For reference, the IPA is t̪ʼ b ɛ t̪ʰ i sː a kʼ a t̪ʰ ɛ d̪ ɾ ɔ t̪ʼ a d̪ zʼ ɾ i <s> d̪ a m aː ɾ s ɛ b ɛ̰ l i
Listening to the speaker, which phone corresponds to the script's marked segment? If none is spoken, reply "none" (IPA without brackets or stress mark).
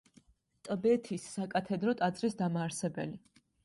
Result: s